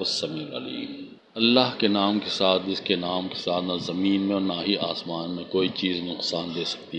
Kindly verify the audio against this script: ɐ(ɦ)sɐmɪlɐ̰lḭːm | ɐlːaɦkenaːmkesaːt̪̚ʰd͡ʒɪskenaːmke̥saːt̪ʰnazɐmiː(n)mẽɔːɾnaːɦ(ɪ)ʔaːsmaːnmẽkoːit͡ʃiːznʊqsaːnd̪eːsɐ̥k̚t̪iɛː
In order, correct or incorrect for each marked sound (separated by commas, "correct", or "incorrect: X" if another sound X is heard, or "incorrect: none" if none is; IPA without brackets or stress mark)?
incorrect: none, correct, incorrect: i